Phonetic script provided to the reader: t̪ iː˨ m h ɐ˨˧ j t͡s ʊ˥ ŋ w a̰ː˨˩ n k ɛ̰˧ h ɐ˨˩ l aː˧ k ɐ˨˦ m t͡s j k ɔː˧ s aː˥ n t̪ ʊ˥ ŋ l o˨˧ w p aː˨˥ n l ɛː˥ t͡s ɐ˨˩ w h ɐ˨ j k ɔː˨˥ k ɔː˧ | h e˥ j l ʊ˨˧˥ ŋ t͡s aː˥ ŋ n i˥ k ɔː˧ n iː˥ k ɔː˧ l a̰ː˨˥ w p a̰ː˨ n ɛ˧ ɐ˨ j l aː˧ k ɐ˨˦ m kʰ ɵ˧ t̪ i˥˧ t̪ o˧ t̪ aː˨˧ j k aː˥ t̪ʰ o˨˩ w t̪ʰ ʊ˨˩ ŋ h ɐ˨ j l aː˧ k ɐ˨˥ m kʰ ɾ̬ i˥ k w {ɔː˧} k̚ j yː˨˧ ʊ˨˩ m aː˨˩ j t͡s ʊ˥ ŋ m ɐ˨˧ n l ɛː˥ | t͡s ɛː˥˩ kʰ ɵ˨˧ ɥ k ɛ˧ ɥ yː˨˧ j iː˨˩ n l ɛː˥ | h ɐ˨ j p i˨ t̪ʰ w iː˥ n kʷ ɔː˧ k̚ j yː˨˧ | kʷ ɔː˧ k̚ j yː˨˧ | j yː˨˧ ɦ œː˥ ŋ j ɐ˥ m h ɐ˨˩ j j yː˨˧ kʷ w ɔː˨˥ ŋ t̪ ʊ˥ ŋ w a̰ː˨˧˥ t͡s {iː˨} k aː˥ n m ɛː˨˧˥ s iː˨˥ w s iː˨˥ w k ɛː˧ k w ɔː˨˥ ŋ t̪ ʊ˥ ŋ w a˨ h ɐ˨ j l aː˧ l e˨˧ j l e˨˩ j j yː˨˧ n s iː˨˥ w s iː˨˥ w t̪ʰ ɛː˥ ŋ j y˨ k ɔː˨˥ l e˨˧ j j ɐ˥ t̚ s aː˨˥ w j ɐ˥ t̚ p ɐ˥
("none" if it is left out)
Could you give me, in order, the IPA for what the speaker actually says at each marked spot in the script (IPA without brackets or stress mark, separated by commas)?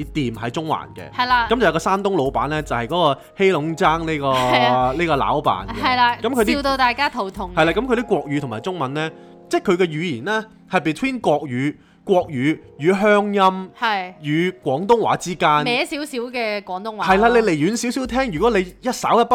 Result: ɔː˧, iː˥